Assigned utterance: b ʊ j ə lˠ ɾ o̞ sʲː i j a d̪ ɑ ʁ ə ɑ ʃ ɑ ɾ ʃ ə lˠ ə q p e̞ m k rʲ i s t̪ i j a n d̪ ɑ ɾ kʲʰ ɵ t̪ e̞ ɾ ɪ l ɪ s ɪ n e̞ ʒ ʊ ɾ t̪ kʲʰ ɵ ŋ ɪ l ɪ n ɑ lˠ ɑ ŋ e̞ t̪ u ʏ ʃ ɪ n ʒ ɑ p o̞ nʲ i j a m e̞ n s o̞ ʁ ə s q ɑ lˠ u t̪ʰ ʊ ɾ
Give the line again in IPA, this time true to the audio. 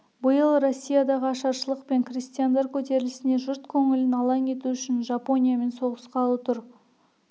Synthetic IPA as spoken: b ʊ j ə lˠ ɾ o̞ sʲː i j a d̪ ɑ ʁ ə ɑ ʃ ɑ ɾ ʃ ə lˠ ə q p e̞ ŋ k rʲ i s t̪ i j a n d̪ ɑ ɾ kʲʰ ɵ t̪ e̞ ɾ ɪ l ɪ s ɪ n e̞ ʒ ʊ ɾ t̪ kʲʰ ɵ ŋ ɪ l ɪ n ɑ lˠ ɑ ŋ e̞ t̪ u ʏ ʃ ɪ n ʒ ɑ p o̞ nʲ i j a m e̞ n s o̞ ʁ ə s q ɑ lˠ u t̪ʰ ʊ ɾ